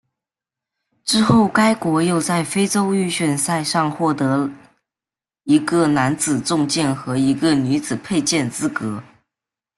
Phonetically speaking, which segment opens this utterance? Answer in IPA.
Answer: ʈ͡ʂ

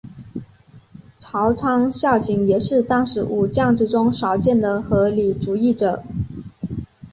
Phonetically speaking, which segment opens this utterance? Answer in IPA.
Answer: ʈ͡ʂʰ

